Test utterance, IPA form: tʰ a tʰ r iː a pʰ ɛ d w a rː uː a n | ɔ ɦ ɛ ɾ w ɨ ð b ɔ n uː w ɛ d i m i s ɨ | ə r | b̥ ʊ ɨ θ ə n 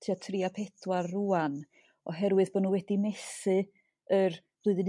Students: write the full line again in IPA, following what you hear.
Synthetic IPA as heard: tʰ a tʰ r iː a pʰ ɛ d w a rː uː a n | ɔ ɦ ɛ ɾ w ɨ ð b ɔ n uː w ɛ d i m ɛ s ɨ | ə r | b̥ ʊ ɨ ð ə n

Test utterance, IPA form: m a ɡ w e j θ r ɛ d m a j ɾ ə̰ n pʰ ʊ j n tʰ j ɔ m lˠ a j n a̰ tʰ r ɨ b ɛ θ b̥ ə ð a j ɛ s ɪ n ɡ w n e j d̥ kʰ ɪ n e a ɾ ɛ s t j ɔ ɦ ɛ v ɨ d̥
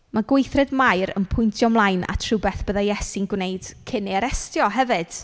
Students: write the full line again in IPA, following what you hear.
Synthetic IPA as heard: m a ɡ w e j θ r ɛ d m a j ɾ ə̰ n pʰ ʊ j n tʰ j ɔ m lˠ a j n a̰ tʰ r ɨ b ɛ θ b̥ ə ð a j ɛ s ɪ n ɡ w n e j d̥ kʰ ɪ n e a ɾ ɛ s t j ɔ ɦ ɛ v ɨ d̥

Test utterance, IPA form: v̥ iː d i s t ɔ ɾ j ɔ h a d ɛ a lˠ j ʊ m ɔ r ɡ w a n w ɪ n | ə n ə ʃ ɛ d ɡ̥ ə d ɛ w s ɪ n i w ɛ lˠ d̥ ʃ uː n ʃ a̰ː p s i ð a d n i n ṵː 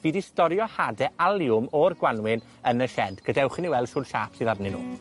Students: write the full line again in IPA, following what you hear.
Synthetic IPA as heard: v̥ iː d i s t ɔ ɾ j ɔ h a d ɛ a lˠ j ʊ m ɔ r ɡ w a n w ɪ n | ə n ə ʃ ɛ d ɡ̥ ə d ɛ w χ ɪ n i w ɛ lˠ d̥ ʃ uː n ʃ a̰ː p s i ð a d n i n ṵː

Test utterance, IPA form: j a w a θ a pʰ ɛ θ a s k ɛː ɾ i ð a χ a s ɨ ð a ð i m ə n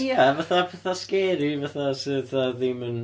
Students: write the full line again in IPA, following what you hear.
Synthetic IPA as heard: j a v a θ a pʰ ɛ θ a s k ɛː ɾ i v a θ a s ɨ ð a ð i m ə n

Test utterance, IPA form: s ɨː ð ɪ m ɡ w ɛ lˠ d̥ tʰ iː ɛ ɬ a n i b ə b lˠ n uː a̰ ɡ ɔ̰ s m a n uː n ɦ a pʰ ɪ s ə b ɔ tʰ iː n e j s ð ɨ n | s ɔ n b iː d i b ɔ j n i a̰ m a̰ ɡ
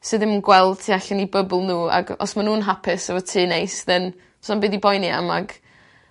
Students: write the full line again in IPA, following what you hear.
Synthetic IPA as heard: s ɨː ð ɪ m ɡ w ɛ lˠ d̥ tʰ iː a ɬ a n i b ə b lˠ n uː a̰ ɡ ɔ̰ s m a n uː n ɦ a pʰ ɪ s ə v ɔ tʰ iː n e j s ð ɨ n | s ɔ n b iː d i b ɔ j n i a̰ m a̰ ɡ

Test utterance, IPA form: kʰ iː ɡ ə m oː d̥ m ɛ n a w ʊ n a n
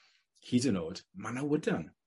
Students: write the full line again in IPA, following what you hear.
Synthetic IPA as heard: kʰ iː d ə n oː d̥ m a n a w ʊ d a n

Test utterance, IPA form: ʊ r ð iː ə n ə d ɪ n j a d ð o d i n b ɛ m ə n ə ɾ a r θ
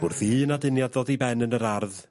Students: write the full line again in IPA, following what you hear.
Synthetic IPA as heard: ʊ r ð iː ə n a d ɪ n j a d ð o d i b ɛ n ə n ə ɾ a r ð

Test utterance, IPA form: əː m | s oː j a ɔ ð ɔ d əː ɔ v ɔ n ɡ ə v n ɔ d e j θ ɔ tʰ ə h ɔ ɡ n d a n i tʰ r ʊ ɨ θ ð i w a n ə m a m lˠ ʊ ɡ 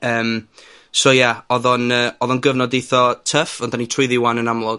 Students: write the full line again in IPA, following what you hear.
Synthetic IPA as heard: əː m | s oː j a ɔ ð ɔ n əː ɔ ð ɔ n ɡ ə v n ɔ d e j θ ɔ tʰ ə f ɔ n d a n i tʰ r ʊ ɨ ð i w a n ə n a m lˠ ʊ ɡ

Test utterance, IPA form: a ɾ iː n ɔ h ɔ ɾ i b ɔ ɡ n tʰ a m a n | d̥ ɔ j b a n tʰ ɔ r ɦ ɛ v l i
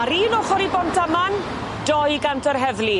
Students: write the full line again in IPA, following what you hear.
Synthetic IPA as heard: a ɾ iː n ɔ χ ɔ ɾ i b ɔ n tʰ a m a n | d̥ ɔ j ɡ a n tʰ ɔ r ɦ ɛ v l i

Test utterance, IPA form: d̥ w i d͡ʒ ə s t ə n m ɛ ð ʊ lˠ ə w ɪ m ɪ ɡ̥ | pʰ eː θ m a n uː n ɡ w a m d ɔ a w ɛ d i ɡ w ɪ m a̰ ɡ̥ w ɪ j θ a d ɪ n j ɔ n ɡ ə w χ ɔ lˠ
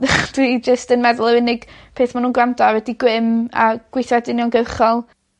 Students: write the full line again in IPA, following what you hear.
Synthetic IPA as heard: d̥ w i d͡ʒ ə s t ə n m ɛ ð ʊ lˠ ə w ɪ n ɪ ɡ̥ | pʰ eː θ m a n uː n ɡ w a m d ɔ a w ɛ d i ɡ w ɪ m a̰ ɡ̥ w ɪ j θ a d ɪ n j ɔ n ɡ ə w χ ɔ lˠ

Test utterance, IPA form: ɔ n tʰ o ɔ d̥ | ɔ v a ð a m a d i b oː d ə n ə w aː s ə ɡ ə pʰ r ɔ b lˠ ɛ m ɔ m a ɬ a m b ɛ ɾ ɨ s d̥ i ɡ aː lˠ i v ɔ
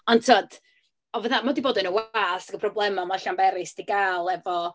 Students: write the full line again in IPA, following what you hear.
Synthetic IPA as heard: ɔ n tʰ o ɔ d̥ | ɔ v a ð a m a d i b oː d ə n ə w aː s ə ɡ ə pʰ r ɔ b lˠ ɛ m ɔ m a ɬ a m b ɛ ɾ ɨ s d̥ i ɡ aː lˠ ɛ v ɔ

